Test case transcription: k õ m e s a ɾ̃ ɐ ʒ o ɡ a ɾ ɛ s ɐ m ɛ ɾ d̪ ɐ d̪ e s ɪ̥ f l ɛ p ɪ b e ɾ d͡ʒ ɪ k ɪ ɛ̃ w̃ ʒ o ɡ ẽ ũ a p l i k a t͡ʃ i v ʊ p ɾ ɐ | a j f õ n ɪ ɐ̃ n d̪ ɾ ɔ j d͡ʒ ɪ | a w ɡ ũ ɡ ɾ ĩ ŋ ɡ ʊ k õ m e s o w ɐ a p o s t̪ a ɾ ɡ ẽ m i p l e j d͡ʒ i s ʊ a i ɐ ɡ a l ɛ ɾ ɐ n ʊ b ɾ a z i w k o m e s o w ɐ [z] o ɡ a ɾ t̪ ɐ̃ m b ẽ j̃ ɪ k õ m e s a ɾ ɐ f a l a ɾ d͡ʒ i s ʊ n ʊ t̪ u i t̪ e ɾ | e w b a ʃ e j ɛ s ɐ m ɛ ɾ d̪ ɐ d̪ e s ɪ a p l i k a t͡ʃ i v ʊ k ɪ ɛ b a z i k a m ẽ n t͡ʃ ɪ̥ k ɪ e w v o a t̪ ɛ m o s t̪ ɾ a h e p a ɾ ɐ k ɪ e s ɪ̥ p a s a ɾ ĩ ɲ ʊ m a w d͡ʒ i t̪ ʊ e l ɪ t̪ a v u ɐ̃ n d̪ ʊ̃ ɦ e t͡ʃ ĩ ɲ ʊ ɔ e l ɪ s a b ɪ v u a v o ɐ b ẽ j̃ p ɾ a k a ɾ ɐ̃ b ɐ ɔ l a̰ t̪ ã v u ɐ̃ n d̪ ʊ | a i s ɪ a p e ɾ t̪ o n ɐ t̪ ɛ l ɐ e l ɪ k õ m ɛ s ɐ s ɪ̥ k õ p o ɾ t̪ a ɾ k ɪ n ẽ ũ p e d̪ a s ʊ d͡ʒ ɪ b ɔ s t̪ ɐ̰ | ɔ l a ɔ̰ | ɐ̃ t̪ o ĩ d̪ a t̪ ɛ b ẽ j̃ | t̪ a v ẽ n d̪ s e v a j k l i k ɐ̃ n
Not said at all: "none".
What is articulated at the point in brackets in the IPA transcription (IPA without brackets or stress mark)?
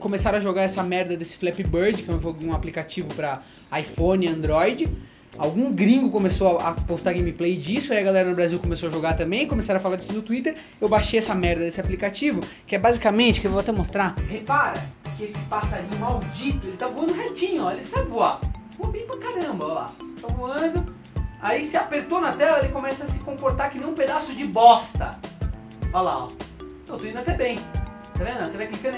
ʒ